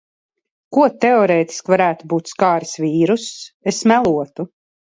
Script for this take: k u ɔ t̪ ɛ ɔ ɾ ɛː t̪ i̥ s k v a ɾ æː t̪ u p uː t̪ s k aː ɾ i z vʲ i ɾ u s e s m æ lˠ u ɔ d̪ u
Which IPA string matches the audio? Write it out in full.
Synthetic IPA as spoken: k u ɔ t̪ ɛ ɔ ɾ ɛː t̪ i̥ s k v a ɾ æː t̪ u b uː t̪ s k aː ɾ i s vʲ iː ɾ u s e s m æ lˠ u ɔ t̪ u

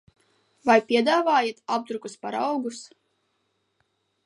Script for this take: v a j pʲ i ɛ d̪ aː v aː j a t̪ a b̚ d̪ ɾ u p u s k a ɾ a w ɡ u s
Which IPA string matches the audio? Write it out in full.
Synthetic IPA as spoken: v a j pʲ i ɛ d̪ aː v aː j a t̪ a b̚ d̪ ɾ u k u s p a ɾ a w ɡ u s

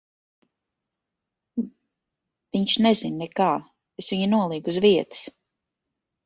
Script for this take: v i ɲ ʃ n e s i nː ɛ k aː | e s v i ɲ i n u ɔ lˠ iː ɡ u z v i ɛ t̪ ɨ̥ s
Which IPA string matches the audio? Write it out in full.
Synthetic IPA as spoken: v i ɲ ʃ n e z i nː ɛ k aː | e s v i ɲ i n u ɔ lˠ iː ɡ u z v i ɛ t̪ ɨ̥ s

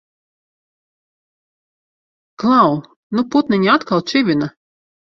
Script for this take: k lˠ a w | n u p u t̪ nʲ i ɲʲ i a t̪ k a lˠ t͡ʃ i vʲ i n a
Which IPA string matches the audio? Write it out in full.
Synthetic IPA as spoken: k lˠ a w | n u p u t̪ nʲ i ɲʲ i a t̪ k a lˠ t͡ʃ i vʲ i n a

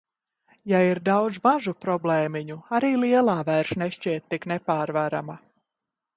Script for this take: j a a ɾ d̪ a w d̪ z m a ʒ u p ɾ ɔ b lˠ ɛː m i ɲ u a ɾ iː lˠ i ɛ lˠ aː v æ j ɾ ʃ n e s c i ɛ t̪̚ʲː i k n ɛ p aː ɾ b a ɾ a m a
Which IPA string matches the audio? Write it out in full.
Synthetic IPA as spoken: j a i ɾ d̪ a w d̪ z m a ʒ u p ɾ ɔ b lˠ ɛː m i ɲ u a ɾ iː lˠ i ɛ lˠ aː v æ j ɾ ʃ n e ʃ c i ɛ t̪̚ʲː i k n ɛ p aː ɾ v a ɾ a m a

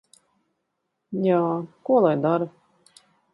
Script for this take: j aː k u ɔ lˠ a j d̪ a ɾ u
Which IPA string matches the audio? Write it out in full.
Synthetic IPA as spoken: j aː k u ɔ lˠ a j d̪ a ɾ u

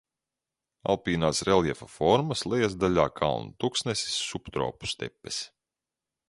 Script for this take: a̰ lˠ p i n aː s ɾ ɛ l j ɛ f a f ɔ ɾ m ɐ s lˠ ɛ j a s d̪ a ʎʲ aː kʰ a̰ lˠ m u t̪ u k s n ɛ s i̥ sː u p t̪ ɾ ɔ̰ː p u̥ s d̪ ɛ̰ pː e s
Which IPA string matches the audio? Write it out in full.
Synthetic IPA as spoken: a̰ lˠ p iː n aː s ɾ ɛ l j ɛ f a f ɔ ɾ m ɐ s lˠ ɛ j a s d̪ a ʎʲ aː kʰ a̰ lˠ n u t̪ u k s n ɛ s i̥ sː u p t̪ ɾ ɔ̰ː p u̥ s t̪ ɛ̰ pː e s

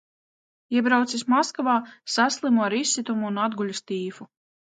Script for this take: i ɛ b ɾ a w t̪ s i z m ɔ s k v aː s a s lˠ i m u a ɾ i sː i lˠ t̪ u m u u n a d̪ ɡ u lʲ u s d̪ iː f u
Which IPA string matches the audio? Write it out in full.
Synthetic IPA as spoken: i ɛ b ɾ a w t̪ s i s m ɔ s k v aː s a s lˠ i m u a ɾ i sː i t̪ u m u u n a d̪ ɡ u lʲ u s t̪ iː f u

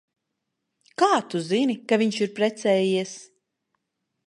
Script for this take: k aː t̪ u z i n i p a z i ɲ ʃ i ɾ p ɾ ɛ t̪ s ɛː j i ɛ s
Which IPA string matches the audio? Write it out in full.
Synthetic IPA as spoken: k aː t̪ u z i n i k a v i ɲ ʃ i ɾ p ɾ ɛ t̪ s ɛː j i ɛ s

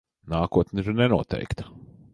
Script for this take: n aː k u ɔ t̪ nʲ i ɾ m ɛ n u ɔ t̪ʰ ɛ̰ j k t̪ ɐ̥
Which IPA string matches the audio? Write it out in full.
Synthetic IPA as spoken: n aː k u ɔ t̪ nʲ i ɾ n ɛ n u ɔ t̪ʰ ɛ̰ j k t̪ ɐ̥

